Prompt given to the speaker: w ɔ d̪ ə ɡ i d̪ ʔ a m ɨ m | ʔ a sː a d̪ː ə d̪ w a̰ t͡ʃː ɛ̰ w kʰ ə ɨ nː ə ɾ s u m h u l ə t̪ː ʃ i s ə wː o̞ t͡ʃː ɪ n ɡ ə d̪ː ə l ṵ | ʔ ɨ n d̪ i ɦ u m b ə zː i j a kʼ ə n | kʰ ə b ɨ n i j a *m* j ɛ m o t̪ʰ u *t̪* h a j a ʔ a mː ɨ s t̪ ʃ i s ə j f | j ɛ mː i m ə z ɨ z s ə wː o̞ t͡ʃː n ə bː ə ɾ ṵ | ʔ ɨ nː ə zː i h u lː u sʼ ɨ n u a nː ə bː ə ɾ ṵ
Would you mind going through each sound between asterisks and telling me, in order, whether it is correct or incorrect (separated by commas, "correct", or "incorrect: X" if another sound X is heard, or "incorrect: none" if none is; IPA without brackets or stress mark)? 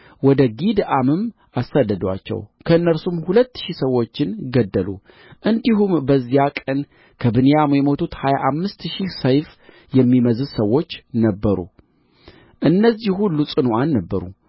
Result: correct, correct